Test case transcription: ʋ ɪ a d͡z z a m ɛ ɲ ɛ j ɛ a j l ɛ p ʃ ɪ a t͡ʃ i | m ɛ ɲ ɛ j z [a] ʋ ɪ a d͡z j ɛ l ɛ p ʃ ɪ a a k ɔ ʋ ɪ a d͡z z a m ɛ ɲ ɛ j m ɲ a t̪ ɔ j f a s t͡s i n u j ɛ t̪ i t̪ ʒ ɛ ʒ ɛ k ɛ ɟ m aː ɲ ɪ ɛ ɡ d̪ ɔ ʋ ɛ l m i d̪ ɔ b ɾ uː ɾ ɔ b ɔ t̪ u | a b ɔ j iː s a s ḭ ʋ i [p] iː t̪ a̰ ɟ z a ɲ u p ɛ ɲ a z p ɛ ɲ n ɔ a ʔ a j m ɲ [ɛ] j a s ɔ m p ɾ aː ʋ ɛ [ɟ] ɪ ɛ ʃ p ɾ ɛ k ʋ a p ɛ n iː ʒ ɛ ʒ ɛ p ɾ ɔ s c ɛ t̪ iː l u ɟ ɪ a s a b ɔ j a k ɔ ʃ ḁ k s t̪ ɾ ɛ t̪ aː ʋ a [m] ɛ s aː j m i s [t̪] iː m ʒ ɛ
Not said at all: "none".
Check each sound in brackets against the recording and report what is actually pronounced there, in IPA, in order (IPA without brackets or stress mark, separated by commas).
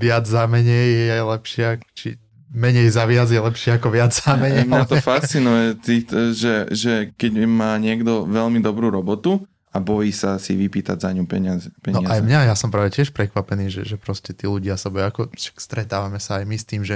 a, p, a, c, m, t̪